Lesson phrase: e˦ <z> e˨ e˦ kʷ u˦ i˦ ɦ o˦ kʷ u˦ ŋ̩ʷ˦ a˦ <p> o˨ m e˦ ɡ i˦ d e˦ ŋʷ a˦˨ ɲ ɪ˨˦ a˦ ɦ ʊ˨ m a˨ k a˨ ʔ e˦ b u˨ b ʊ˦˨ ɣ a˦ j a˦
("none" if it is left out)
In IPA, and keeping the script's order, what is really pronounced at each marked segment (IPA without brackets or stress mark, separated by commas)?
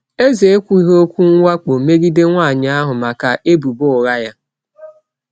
z, k͡p